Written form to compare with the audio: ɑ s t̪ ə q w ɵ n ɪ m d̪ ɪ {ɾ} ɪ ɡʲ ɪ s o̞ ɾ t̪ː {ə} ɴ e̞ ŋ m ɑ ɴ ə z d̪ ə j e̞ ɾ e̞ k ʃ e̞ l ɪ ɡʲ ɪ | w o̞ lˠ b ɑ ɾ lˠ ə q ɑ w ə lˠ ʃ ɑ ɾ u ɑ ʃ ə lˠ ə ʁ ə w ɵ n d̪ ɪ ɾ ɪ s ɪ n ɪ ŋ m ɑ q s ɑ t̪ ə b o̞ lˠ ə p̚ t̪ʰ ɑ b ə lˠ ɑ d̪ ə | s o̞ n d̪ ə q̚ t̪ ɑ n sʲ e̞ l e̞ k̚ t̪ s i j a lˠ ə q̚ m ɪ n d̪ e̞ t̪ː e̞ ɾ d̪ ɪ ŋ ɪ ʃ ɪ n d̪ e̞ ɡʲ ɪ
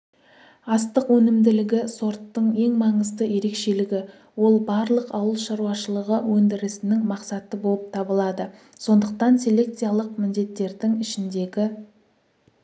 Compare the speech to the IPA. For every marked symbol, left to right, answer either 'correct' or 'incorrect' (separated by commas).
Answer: incorrect, correct